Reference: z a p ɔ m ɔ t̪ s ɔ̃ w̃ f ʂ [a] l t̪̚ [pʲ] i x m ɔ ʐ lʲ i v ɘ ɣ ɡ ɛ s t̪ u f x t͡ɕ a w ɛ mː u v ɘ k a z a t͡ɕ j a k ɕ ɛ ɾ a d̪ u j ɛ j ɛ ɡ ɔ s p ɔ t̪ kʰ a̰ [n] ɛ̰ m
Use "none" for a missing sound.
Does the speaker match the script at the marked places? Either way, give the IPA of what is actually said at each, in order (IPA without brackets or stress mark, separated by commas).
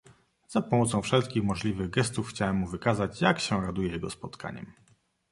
ɛ, kʲ, ɲ